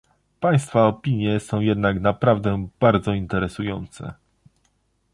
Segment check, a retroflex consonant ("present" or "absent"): absent